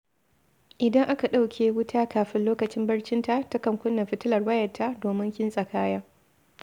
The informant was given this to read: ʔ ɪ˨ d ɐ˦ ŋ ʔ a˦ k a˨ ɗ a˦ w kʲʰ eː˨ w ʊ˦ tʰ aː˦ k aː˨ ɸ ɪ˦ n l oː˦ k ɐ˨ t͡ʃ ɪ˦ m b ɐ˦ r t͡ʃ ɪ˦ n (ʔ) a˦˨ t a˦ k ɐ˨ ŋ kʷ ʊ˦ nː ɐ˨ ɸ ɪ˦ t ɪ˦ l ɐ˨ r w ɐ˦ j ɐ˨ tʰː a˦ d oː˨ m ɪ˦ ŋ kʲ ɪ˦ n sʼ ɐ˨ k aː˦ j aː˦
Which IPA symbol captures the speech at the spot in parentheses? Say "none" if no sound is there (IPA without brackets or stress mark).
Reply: t